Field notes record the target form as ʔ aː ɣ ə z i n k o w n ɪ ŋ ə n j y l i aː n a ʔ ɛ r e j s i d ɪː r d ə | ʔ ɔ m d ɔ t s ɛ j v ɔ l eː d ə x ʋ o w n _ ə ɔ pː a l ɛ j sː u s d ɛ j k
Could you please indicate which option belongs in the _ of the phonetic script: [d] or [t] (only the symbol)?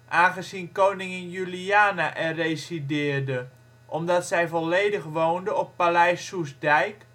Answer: d